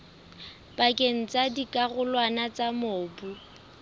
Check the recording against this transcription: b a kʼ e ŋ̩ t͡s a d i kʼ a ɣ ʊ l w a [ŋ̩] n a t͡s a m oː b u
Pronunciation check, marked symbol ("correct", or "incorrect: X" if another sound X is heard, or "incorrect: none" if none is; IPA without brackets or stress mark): incorrect: none